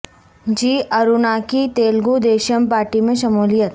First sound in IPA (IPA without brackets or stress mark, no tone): d͡ʒ